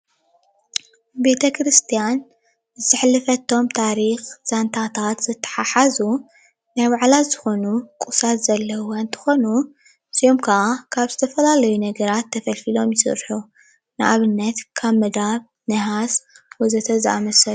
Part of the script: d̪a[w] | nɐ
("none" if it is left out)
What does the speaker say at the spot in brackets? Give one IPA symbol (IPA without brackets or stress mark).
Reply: β